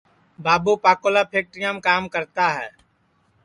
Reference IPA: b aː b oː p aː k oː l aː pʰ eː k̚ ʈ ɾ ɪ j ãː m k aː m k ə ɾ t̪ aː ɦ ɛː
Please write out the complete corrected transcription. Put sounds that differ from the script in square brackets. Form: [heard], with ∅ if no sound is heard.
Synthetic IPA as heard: b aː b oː p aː k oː l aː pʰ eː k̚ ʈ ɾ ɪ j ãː m k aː m k ə ɾ t̪ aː ɦ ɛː